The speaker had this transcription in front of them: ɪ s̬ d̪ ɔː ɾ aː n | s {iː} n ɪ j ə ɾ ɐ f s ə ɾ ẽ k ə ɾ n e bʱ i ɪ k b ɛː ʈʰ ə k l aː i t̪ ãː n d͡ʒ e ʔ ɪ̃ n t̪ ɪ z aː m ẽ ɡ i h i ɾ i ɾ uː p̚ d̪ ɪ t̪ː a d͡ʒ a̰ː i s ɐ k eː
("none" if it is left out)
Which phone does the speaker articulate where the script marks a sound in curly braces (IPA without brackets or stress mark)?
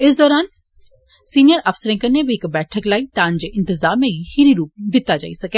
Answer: iː